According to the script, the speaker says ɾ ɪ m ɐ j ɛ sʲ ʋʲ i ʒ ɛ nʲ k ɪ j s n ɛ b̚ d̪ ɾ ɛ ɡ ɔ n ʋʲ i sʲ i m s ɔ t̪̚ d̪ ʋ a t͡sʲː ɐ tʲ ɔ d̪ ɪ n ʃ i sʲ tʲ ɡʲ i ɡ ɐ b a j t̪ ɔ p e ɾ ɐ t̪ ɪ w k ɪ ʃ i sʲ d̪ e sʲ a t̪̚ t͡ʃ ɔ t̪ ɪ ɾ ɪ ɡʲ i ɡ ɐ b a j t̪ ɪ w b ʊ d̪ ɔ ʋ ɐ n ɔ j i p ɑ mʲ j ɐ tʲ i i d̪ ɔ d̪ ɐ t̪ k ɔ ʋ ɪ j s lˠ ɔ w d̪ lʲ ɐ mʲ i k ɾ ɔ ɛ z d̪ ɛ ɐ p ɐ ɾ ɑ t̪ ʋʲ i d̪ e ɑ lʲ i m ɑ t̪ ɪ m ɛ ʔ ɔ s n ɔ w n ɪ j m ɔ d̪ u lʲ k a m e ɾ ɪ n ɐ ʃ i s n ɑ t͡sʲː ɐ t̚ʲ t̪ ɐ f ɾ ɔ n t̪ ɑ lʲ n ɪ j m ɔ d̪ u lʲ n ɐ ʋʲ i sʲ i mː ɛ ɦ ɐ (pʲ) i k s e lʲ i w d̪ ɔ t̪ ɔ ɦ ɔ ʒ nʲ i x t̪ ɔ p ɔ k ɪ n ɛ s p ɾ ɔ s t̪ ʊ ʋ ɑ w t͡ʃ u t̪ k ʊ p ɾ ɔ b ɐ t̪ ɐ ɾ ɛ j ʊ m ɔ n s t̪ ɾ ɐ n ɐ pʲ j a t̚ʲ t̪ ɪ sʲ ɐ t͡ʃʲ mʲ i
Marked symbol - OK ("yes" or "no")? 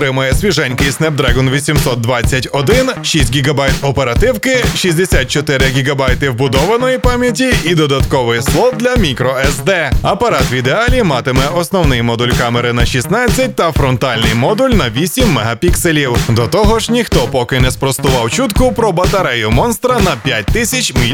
yes